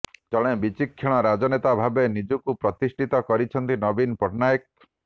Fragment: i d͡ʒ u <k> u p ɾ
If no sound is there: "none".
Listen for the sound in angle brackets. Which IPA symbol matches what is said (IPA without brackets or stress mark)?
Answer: k